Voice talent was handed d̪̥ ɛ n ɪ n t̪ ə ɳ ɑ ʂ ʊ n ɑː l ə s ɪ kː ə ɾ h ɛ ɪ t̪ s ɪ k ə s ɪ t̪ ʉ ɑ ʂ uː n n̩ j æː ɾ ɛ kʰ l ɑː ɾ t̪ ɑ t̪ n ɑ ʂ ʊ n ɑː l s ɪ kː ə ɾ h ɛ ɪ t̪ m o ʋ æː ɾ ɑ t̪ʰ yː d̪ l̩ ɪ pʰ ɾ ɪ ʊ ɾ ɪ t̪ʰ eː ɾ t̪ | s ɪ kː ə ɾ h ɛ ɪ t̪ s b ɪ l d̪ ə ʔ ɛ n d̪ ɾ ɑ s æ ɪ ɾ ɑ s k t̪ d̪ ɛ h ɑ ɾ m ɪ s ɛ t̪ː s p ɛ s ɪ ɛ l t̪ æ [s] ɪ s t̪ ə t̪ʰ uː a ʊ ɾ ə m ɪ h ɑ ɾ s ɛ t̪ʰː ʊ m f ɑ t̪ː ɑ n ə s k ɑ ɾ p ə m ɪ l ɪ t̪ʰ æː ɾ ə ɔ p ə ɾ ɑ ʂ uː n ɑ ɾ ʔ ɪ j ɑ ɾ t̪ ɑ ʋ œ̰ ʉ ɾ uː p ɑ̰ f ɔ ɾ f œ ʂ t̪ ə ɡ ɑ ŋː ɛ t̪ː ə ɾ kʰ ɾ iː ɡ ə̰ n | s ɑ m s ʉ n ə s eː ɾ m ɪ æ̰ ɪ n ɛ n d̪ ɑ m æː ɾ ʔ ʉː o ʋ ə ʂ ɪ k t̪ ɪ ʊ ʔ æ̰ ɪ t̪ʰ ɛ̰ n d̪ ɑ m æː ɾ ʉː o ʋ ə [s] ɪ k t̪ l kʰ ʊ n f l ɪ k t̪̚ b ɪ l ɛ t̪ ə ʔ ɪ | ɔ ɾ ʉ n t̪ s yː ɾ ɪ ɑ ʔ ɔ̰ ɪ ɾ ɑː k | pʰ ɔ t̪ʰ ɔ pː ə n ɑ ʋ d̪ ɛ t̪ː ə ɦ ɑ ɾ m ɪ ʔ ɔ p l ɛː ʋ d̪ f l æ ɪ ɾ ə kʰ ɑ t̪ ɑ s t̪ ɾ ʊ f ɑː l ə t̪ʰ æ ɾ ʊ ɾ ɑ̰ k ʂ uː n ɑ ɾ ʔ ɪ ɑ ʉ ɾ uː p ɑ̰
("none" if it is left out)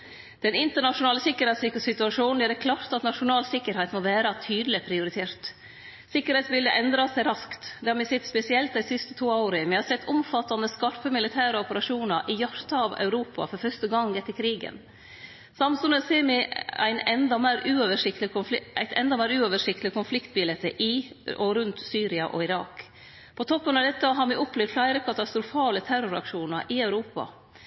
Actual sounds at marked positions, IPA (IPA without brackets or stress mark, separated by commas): s, ʂ